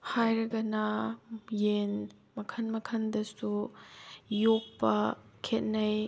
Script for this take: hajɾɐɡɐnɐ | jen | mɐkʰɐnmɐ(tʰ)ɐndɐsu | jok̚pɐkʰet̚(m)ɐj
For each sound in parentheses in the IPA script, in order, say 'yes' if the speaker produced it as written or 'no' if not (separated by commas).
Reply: no, no